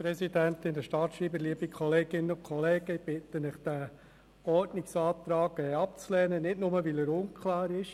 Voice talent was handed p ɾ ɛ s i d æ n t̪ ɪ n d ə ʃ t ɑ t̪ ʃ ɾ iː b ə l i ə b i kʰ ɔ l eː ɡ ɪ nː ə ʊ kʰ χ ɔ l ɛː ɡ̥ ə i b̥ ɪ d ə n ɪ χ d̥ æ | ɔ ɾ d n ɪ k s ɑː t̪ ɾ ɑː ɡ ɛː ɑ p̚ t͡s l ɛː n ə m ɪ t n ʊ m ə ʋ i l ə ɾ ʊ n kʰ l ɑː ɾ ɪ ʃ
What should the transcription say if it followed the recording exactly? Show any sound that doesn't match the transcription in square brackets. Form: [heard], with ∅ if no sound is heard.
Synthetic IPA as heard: p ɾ ɛ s i d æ n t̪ ɪ n d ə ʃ t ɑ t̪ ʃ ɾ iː b ə l i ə b i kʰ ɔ l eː ɡ ɪ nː ə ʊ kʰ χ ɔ l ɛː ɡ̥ ə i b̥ ɪ [t] ə n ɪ χ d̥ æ | ɔ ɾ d n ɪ k s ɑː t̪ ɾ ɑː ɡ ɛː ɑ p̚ t͡s l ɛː n ə [n] ɪ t n ʊ m ə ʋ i l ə ɾ ʊ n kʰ l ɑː ɾ ɪ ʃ